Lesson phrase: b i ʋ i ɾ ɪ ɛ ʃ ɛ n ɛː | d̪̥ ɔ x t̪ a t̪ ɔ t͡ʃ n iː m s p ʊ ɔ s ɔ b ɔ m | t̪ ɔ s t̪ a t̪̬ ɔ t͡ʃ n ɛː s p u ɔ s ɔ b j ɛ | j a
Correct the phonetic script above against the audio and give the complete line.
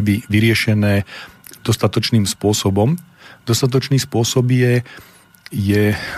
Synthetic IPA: b i ʋ i ɾ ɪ ɛ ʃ ɛ n ɛː | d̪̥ ɔ s t̪ a t̪ ɔ t͡ʃ n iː m s p ʊ ɔ s ɔ b ɔ m | d̪ ɔ s t̪ a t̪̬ ɔ t͡ʃ n iː s p ʊ ɔ s ɔ b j ɛ | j ɛ